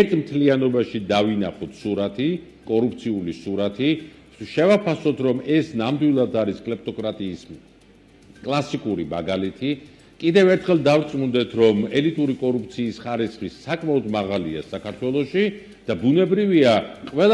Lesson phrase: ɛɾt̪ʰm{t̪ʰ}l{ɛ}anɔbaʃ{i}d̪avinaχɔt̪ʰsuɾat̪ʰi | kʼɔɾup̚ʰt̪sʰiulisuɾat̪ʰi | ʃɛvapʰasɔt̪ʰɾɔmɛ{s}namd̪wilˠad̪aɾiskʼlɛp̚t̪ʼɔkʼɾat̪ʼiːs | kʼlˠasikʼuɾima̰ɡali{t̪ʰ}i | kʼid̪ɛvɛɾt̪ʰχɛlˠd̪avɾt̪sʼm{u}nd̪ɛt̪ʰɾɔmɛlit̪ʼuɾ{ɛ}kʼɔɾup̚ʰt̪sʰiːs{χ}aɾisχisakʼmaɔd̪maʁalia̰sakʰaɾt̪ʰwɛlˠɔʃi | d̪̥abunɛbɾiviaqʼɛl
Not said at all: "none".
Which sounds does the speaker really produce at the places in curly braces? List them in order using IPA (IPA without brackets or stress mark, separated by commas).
t̪ʰ, i, i, s, t̪ʰ, u, i, χ